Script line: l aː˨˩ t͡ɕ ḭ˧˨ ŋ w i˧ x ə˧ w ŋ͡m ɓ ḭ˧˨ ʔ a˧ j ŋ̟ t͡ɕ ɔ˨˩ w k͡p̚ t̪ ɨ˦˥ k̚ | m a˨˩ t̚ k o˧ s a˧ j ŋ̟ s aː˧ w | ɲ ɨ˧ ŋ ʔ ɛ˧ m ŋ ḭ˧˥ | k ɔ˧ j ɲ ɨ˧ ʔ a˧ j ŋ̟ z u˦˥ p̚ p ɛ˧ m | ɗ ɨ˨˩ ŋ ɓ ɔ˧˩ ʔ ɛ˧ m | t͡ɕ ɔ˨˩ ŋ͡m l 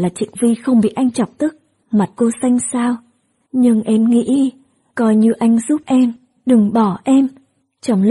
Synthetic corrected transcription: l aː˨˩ t͡ɕ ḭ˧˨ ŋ v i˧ x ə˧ w ŋ͡m ɓ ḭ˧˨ ʔ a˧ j ŋ̟ t͡ɕ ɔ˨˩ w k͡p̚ t̪ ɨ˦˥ k̚ | m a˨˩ t̚ k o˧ s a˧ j ŋ̟ s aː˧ w | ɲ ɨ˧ ŋ ʔ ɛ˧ m ŋ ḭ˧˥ | k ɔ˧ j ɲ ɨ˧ ʔ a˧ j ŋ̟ z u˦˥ p̚ ʔ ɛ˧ m | ɗ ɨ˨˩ ŋ ɓ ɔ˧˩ ʔ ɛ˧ m | t͡ɕ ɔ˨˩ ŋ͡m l